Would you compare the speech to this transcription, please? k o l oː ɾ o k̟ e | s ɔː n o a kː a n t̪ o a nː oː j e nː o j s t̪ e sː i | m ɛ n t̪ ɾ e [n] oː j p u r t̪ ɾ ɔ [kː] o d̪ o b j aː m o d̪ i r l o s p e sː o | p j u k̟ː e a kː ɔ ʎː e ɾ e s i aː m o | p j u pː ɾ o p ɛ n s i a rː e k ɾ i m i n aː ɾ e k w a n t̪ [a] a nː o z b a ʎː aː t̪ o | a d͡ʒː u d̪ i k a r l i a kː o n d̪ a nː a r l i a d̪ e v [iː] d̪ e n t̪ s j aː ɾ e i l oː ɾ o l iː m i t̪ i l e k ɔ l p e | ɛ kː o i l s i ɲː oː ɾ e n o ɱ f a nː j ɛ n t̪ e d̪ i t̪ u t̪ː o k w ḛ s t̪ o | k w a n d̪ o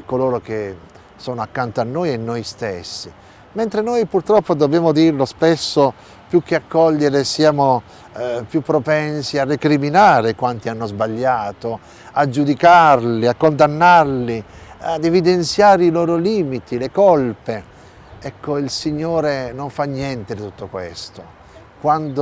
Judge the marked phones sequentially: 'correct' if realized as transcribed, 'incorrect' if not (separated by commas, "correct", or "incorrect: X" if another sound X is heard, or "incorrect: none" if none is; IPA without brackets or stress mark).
correct, incorrect: pː, incorrect: i, incorrect: i